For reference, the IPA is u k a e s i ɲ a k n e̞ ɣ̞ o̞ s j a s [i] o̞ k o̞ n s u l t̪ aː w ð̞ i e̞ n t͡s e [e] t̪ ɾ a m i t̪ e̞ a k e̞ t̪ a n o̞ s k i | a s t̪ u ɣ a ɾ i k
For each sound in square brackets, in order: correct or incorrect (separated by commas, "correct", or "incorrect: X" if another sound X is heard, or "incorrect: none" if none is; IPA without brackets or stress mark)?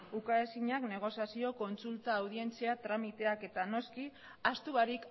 correct, incorrect: a